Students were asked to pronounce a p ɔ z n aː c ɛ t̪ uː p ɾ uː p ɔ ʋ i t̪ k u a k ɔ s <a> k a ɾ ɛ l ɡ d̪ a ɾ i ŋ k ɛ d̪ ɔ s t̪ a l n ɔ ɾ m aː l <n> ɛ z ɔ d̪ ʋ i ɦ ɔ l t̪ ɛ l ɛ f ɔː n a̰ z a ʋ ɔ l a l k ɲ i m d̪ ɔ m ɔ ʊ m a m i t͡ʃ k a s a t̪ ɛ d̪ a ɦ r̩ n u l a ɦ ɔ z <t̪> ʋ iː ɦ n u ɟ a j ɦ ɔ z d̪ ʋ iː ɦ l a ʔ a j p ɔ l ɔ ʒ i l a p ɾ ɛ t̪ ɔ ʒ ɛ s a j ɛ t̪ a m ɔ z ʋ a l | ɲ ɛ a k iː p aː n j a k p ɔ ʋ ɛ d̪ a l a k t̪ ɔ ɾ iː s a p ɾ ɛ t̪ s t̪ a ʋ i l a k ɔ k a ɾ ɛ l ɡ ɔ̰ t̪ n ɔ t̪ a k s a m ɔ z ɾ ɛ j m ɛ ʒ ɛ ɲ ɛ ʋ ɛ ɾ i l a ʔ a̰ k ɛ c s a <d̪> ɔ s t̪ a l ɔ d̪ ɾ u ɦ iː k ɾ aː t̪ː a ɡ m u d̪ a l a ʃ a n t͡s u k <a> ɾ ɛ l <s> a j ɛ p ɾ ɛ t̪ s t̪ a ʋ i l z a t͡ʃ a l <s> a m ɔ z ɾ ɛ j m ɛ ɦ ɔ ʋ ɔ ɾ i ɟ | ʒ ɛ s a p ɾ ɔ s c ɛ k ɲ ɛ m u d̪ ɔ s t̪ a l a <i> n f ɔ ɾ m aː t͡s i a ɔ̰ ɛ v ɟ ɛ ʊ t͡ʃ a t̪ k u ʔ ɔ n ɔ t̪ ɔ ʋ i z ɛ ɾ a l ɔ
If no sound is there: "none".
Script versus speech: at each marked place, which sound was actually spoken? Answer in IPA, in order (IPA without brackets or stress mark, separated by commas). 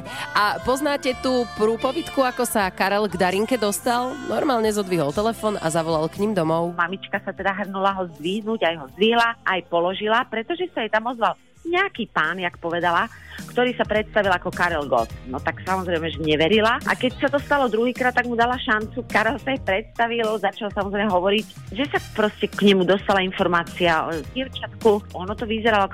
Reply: a, ɲ, d̪, t̪, a, s, s, i